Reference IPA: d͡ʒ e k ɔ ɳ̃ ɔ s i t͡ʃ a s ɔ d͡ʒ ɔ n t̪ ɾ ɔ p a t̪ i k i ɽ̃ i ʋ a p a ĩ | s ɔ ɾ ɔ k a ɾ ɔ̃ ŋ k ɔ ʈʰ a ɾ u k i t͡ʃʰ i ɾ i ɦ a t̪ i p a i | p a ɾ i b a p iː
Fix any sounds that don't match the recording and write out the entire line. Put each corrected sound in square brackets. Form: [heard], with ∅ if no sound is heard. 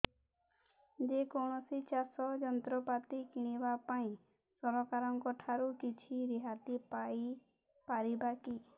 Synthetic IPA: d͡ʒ e k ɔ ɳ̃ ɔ s i t͡ʃ a s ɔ d͡ʒ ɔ n t̪ ɾ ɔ p a t̪ i k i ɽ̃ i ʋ a p a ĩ | s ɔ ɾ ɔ k a ɾ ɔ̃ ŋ k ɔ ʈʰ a ɾ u k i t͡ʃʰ i ɾ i ɦ a t̪ i p a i | p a ɾ i b a [k] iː